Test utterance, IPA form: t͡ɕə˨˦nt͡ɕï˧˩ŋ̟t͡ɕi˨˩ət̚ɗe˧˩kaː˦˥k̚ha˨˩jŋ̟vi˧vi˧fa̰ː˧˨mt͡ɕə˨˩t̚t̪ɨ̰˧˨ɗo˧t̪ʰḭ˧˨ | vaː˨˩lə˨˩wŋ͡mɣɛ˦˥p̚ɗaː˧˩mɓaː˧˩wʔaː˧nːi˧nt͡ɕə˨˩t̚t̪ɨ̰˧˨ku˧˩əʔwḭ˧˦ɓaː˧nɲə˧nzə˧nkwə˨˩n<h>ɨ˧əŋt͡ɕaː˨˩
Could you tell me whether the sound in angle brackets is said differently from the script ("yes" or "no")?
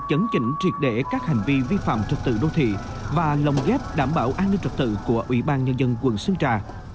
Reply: yes